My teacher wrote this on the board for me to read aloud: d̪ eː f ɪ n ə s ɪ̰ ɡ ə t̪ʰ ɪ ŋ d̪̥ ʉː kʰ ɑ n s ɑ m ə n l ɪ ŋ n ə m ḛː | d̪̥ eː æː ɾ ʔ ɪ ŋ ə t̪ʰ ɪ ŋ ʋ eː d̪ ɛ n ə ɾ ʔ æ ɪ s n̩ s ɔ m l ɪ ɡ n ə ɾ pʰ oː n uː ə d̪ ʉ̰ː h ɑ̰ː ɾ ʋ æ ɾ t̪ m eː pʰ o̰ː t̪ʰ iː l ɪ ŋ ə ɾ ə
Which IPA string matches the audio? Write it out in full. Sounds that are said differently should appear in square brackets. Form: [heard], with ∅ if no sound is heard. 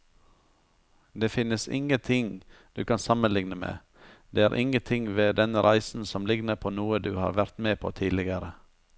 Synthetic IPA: d̪ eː f ɪ n ə s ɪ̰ [ŋ] ə t̪ʰ ɪ ŋ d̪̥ ʉː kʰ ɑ n s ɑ m ə n l ɪ ŋ n ə m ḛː | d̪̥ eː æː ɾ ʔ ɪ ŋ ə t̪ʰ ɪ ŋ ʋ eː d̪ ɛ n ə ɾ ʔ æ ɪ s n̩ s ɔ m l ɪ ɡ n ə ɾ pʰ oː n uː ə d̪ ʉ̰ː h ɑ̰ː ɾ ʋ æ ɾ t̪ m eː pʰ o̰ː t̪ʰ iː l ɪ [ɡ] ə ɾ ə